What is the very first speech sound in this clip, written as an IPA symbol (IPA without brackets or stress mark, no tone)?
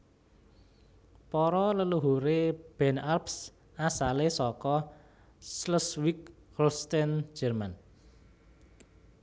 p